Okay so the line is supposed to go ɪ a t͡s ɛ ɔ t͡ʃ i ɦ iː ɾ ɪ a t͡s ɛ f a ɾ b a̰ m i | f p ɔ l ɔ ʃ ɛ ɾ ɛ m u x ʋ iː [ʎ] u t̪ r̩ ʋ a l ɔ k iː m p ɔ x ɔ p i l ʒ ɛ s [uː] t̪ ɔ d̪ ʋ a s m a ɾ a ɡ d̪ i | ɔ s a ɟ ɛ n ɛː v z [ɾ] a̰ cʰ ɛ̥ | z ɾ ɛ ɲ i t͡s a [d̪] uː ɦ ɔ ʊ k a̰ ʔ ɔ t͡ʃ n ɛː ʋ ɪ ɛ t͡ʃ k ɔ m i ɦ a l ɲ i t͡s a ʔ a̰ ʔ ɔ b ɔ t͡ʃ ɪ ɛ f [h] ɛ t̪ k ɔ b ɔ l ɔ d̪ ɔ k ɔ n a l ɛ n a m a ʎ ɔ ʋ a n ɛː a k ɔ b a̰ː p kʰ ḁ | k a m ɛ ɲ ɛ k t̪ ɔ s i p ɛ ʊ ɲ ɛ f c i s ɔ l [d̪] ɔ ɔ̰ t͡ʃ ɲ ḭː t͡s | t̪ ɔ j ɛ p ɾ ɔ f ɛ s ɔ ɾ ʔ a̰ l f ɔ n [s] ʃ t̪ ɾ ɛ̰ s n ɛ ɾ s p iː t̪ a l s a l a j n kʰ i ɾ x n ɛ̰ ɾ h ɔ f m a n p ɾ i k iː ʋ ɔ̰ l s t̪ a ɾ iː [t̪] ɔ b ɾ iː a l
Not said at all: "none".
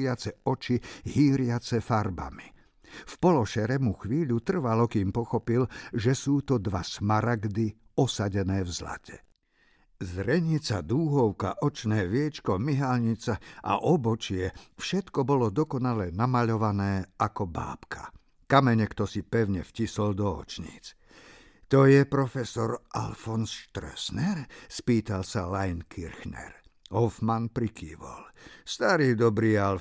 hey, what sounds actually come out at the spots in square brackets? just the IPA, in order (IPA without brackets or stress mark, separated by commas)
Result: ʎ, uː, l, d̪, ʃ, d̪, s, d̪